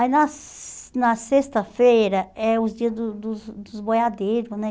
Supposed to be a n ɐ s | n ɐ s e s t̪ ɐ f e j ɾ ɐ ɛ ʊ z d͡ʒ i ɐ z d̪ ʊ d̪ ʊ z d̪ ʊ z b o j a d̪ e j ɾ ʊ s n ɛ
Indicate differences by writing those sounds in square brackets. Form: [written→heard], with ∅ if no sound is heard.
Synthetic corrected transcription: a n ɐ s | n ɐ s e s t̪ ɐ f e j ɾ ɐ ɛ ʊ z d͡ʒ i ɐ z d̪ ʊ d̪ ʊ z d̪ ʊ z b o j a d̪ e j ɾ ʊ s n ɛ

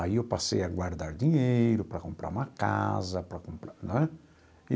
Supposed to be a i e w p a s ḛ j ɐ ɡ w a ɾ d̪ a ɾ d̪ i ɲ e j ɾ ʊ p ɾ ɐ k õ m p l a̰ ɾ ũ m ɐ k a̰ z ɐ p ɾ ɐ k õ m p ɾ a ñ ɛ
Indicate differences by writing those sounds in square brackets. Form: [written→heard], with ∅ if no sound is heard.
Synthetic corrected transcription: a i e w p a s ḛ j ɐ ɡ w a ɾ d̪ a ɾ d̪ i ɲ e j ɾ ʊ p ɾ ɐ k õ m p [l→ɾ] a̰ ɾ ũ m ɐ k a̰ z ɐ p ɾ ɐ k õ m p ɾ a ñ ɛ

